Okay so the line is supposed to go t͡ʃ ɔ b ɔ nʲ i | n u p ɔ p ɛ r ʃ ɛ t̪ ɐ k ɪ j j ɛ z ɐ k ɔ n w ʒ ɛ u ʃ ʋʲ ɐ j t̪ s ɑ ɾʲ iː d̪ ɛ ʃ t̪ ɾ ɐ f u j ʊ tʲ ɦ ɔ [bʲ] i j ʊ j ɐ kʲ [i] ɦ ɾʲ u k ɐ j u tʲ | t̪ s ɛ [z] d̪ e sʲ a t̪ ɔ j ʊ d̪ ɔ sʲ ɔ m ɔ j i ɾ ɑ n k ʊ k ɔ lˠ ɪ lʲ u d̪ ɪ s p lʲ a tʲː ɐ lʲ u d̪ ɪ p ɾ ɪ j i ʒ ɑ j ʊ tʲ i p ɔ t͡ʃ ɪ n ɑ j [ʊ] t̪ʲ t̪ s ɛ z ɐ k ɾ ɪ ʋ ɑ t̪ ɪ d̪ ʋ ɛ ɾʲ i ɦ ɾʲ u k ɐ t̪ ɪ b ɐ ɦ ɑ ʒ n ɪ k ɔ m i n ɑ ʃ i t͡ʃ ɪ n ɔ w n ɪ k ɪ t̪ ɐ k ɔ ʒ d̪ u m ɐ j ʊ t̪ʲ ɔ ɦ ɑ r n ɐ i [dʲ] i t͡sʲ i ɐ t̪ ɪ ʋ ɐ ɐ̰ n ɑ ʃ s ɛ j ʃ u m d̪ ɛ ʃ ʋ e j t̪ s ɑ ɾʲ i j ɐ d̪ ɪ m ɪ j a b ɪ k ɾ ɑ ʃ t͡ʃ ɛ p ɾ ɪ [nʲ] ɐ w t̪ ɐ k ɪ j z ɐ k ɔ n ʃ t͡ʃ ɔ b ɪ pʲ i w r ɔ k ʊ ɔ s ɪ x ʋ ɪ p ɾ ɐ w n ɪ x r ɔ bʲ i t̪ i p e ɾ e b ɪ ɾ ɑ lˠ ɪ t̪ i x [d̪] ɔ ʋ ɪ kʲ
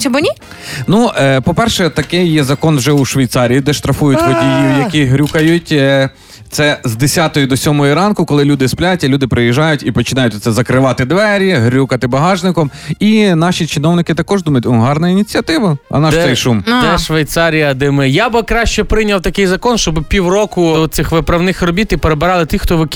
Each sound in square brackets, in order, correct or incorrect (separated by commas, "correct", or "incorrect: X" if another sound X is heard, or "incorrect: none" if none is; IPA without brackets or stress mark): incorrect: dʲ, correct, correct, correct, incorrect: nʲ, correct, incorrect: t̪